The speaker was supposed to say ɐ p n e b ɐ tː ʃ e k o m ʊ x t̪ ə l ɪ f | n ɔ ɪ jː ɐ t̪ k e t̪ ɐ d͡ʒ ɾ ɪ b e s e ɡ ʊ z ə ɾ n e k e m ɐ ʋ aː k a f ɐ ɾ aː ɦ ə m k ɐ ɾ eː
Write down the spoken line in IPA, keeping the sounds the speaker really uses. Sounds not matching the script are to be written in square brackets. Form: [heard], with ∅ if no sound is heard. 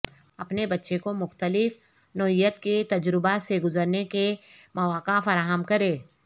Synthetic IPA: ɐ p n e b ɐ tː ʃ e k o m ʊ x t̪ ə l ɪ f | n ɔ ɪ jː [ə] t̪ k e t̪ ɐ d͡ʒ ɾ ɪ b [a] s e ɡ ʊ z ə ɾ n e k e m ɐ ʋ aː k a f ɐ ɾ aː ɦ ə m k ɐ ɾ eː